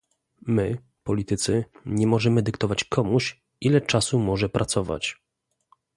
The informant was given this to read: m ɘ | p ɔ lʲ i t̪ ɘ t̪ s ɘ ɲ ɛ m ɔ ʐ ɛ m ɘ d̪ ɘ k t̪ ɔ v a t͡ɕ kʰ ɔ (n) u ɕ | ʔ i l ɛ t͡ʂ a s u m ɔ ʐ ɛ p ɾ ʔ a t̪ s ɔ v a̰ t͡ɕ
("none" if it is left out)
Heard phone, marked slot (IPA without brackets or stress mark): m